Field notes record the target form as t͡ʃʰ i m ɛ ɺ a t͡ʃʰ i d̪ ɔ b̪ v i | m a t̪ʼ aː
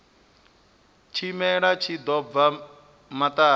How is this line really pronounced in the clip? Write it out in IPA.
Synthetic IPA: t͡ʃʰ i m ɛ ɺ a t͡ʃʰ i d̪ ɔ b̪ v a | m a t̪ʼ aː

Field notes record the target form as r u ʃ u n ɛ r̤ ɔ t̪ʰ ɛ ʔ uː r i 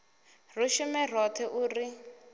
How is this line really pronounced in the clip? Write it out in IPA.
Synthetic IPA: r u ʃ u m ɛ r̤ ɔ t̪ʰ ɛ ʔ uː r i

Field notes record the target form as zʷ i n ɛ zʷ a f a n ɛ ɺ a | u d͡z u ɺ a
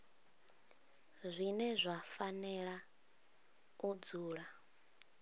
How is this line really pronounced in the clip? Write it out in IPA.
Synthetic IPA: zʷ i n ɛ zʷ a f a n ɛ ɺ a | u d͡z uː ɺ a

